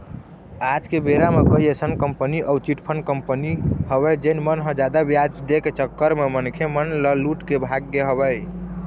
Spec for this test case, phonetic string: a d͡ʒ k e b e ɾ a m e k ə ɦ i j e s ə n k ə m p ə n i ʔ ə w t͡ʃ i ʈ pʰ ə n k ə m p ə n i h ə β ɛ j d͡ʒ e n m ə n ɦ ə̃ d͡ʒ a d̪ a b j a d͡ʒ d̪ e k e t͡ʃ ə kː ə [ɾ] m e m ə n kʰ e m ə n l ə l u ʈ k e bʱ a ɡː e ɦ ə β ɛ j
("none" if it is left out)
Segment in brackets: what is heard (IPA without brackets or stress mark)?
ɾ